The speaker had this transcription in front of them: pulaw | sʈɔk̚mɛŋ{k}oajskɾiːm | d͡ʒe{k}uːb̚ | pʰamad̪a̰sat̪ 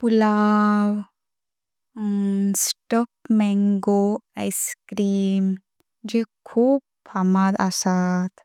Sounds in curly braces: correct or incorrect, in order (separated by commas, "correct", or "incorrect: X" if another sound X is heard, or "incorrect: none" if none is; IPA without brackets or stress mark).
incorrect: ɡ, incorrect: kʰ